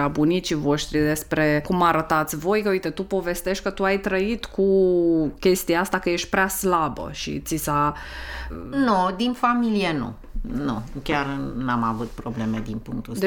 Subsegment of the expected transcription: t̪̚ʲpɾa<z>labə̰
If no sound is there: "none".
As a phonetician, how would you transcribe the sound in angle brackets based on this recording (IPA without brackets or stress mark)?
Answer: s